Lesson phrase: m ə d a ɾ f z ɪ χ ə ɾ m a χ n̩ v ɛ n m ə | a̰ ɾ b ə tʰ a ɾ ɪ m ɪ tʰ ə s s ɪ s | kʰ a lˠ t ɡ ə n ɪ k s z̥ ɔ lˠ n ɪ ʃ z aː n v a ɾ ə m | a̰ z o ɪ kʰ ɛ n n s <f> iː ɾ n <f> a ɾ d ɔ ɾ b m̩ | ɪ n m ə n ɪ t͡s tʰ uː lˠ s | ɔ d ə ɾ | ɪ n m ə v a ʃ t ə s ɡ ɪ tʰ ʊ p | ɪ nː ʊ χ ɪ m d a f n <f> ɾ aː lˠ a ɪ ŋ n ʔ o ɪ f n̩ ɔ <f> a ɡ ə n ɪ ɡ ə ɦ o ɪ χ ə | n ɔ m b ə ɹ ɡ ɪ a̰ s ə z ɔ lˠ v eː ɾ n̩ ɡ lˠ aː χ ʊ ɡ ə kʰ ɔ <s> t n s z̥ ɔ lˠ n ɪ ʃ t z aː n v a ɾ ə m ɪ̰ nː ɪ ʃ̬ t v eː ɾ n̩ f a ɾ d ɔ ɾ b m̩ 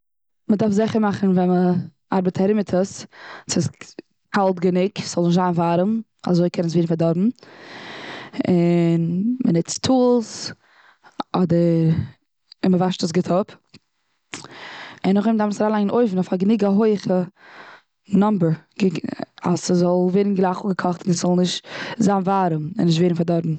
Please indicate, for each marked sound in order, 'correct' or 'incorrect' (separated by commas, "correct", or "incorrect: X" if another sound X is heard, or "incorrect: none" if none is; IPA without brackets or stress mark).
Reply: incorrect: v, correct, incorrect: s, correct, incorrect: χ